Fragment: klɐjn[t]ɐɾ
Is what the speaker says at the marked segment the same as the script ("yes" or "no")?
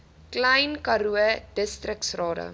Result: no